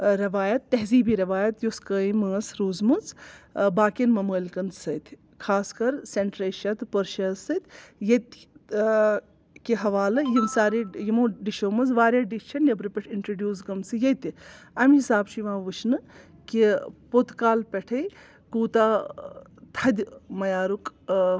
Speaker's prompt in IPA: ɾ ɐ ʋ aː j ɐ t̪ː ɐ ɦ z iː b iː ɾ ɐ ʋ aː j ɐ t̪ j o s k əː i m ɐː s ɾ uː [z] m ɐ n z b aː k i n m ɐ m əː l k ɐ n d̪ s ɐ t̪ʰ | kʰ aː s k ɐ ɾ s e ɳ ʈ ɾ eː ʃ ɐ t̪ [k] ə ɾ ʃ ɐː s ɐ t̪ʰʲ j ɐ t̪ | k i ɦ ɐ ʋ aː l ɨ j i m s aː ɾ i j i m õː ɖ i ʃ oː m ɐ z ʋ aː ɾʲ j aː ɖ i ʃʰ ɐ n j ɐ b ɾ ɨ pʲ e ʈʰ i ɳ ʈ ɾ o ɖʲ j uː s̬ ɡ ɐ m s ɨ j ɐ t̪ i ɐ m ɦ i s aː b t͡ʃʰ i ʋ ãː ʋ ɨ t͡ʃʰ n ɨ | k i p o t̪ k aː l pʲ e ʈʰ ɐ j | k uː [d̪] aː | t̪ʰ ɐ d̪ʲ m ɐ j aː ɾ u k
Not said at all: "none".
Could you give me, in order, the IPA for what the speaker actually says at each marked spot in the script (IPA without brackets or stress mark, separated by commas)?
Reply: z, p, t̪